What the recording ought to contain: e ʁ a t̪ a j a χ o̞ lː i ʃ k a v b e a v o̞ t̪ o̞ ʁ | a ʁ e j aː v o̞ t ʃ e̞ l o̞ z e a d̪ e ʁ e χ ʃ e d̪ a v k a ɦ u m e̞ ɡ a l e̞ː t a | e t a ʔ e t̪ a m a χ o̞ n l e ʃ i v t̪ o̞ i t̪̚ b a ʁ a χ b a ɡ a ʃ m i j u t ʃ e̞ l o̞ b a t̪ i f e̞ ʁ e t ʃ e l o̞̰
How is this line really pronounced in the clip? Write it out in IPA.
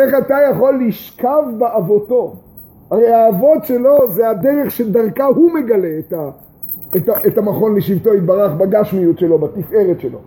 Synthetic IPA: e χ a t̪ a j a χ o̞ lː i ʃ k a v b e a v o̞ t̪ o̞ | a ʁ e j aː v o̞ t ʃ e̞ l o̞ z e a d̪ e ʁ e χ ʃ e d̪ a ʁ k a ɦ u m e̞ ɡ a l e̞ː t a | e t a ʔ e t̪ a m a χ o̞ n l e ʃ i v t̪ o̞ i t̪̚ b a ʁ a χ b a ɡ a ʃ m i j u t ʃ e̞ l o̞ b a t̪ i f e̞ ʁ e t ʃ e l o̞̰